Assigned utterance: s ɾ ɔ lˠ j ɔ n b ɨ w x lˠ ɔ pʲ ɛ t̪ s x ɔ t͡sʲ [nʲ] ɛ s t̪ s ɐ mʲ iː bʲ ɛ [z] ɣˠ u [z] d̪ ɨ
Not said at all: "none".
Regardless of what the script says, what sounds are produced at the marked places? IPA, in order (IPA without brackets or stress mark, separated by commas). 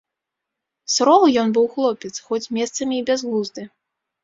mʲ, z, z